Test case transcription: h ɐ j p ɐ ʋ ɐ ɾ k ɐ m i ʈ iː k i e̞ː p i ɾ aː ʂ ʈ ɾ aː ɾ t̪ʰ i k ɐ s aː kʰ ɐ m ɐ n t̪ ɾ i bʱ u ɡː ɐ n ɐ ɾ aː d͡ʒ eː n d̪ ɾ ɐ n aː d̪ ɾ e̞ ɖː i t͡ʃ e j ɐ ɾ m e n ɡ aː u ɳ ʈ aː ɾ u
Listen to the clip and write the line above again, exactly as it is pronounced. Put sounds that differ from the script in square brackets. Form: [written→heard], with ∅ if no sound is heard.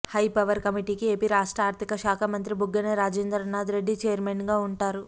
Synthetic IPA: h ɐ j p ɐ ʋ ɐ ɾ k ɐ m i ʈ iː k i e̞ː p i ɾ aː ʂ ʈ ɾ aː ɾ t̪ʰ i k ɐ [s→ʃ] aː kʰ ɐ m ɐ n t̪ ɾ i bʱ u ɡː ɐ n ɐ ɾ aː d͡ʒ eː n d̪ ɾ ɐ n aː d̪ ɾ e̞ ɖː i t͡ʃ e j ɐ ɾ m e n ɡ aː u ɳ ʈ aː ɾ u